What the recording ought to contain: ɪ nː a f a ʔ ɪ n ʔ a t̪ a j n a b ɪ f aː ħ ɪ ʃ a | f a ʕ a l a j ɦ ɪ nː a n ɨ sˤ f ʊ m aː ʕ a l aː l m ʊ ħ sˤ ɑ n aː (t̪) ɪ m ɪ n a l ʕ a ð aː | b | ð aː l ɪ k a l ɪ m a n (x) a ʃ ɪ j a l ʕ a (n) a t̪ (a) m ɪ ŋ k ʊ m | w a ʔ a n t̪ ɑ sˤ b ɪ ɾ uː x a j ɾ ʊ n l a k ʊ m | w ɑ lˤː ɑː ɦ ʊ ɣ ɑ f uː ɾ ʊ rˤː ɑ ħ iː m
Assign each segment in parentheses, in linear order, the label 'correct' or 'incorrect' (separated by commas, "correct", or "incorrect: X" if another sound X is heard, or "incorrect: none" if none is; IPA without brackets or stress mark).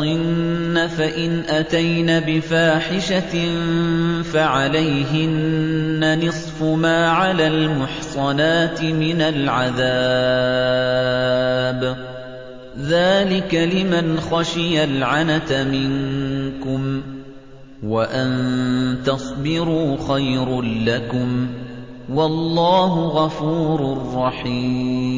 correct, correct, correct, correct